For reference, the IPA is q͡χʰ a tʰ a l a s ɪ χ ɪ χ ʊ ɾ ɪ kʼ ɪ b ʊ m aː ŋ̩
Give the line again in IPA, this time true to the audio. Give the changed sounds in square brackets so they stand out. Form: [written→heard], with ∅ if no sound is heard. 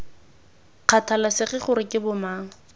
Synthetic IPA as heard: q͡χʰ a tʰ a l a s ɪ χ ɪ χ ʊ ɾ ɪ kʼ ɪ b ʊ m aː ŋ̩